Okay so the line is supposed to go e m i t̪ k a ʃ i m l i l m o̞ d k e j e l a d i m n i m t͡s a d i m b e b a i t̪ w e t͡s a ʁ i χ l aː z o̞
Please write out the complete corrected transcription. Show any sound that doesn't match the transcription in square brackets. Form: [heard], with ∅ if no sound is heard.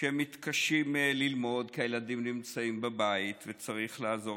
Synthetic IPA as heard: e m i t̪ k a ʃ i m l i l m o̞ d k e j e l a d i m n i m t͡s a [∅] i m b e b a i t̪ [v] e t͡s a ʁ i χ l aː z o̞

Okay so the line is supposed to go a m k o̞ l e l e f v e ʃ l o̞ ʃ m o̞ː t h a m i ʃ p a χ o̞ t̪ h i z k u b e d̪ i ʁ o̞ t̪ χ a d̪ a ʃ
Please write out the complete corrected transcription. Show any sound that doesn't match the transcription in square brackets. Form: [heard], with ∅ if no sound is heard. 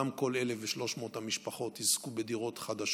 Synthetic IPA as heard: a m k o̞ l e l e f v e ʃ l o̞ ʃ m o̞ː t h a m i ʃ p a χ o̞ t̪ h i z k u b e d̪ i ʁ o̞ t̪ χ a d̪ a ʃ

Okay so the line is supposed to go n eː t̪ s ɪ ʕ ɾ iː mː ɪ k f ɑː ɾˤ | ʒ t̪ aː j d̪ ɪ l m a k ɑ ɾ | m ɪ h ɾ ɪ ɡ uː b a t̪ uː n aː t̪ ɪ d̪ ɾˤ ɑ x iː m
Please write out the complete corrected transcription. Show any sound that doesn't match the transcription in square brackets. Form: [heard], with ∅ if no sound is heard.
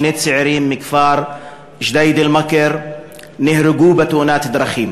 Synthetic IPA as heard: n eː t̪ s ɪ ʕ ɾ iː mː ɪ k f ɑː ɾˤ | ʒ [d̪] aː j d̪ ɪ l m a k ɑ ɾ | [n] ɪ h ɾ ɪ ɡ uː b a t̪ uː n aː t̪ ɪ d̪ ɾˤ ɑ x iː m

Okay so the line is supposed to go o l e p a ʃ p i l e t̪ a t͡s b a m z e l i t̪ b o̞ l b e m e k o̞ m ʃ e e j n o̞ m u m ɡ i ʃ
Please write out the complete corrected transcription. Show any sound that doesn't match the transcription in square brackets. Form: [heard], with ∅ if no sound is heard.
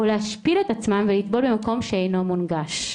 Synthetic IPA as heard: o l e [∅] a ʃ p i l e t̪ a t͡s [m] a m [v] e l i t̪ b o̞ l b e m [a] k o̞ m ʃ e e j n o̞ m u [n] ɡ [a] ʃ

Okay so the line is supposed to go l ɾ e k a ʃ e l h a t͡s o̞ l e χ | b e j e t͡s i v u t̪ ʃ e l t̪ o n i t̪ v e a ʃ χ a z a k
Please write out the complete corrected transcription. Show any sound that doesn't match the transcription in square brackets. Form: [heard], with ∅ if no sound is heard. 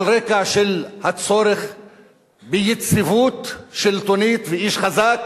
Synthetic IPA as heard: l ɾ e k a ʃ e l h a t͡s o̞ [ɾ] e χ | b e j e t͡s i v u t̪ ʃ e l t̪ o n i t̪ v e [i] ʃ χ a z a k

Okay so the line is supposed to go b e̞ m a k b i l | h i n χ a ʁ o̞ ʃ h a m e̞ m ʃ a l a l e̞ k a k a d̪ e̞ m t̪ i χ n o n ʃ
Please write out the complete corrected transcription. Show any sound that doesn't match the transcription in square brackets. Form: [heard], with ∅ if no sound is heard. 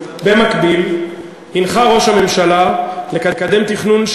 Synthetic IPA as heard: b e̞ m a k b i l | h i n χ a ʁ o̞ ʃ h a m e̞ m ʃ a l a l e̞ k a k a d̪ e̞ m t̪ i χ n [u] n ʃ

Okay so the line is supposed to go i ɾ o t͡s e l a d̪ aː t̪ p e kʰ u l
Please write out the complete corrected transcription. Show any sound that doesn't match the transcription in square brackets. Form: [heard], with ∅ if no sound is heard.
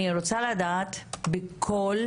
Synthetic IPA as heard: i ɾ o t͡s [a] l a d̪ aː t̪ [b] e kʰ [o] l

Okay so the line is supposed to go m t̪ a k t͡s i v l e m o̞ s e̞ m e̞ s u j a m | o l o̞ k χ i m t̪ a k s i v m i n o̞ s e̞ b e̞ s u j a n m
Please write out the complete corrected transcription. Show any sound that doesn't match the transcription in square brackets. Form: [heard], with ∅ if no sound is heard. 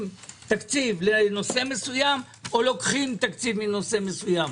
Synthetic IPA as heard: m t̪ a k t͡s i v l e [n] o̞ s e̞ m e̞ s u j a m | o l o̞ k χ i m t̪ a k [t͡s] i v m i n o̞ s e̞ [m] e̞ s u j a [∅] m

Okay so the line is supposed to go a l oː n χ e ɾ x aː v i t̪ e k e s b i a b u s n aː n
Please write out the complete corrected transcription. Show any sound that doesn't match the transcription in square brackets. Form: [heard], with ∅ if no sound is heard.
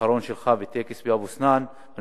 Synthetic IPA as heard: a [ɾ] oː n [ʃ] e [l] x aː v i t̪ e k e s b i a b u s n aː n

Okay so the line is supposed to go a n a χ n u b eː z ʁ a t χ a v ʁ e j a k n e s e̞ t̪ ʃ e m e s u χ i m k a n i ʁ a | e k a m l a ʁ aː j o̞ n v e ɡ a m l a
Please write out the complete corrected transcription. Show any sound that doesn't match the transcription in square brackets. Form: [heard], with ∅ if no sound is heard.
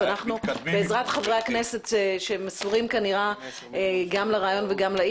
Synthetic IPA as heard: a n a χ n u b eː z ʁ a t χ a v ʁ e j a k n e s e̞ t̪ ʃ e m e s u [ʁ] i m k a n i ʁ a | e [ɡ] a m l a ʁ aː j o̞ n v e ɡ a m l a

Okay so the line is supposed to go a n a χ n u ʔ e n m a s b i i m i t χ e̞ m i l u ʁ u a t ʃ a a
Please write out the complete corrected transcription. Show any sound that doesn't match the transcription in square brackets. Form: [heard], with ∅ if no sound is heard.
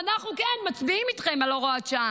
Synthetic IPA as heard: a n a χ n u [k] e n m a [t͡s] b i i m i t χ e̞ m [a] l [o] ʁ [o] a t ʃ a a

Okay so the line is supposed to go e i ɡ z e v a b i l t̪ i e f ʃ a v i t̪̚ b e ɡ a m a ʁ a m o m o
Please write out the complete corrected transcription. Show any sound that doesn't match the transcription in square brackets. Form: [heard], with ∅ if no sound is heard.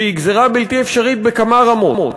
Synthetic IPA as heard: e i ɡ z e [ʁ] a b i l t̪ i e f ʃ a [ʁ] i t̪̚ b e [k] a m a ʁ a m o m o

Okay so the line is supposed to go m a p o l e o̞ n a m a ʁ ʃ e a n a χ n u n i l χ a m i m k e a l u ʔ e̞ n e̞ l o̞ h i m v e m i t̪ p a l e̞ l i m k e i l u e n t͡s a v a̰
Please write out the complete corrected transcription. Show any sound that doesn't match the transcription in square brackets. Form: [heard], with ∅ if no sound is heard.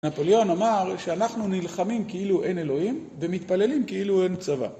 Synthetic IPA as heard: [n] a p o l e o̞ n a m a ʁ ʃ e a n a χ n u n i l χ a m i m k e [i] l u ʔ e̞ n e̞ l o̞ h i m v e m i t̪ p a l e̞ l i m k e i l u e n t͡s a v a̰

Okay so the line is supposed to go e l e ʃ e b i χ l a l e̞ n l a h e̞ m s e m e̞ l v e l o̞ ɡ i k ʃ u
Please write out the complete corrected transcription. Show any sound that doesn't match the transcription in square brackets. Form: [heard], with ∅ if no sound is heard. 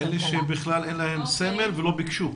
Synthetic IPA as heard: e l e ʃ e b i χ l a l e̞ n l a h e̞ m s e m e̞ l v e l o̞ [b] i k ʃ u

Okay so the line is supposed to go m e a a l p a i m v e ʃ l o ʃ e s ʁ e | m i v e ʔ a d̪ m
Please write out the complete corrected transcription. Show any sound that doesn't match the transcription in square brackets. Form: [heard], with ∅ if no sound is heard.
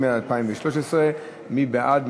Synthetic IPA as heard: m e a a l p a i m v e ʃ l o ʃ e s ʁ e | m i [b] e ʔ a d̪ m

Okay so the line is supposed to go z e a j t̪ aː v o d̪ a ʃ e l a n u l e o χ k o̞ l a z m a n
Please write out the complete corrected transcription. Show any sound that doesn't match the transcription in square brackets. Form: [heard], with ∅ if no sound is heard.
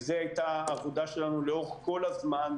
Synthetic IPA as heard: z e a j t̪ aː v o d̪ a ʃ e l a n u l e o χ k o̞ l a z m a n

